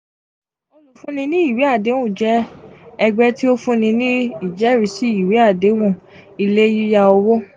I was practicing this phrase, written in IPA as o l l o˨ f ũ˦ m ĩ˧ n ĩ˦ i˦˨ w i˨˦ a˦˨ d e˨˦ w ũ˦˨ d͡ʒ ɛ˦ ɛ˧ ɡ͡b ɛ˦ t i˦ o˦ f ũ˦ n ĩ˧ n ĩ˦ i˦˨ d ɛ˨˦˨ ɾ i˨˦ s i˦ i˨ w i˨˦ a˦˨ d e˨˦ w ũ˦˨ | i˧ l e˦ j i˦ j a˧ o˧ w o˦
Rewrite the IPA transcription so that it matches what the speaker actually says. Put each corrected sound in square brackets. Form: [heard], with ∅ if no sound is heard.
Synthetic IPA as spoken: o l l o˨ f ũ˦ [n] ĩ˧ n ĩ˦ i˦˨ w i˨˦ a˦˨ d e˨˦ w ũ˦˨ d͡ʒ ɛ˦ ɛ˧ ɡ͡b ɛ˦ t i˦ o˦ f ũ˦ n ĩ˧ n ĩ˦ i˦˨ [d͡ʒ] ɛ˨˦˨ ɾ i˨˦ s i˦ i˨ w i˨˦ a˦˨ d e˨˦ w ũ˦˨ | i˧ l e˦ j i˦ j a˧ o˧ w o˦